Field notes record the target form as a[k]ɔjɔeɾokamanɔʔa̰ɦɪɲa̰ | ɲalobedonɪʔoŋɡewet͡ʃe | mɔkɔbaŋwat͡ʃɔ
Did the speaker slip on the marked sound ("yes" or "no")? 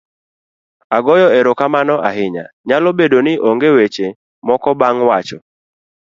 yes